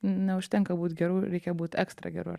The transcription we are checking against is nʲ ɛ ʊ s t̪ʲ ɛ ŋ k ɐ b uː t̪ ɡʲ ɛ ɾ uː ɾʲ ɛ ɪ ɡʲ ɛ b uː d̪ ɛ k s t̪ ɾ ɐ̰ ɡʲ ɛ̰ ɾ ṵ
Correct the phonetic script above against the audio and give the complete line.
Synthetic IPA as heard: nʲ ɛ ʊ ʃ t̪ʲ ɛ ŋ k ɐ b uː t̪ ɡʲ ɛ ɾ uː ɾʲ ɛ ɪ kʲ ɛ b uː t̪ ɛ k s t̪ ɾ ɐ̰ ɡʲ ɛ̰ ɾ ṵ